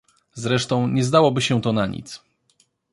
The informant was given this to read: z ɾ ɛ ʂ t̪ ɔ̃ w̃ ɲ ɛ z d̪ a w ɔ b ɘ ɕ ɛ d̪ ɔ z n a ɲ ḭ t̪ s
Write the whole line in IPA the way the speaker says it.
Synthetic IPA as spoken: z ɾ ɛ ʂ t̪ ɔ̃ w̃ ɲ ɛ z d̪ a w ɔ b ɘ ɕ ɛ t̪ ɔ n a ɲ ḭ t̪ s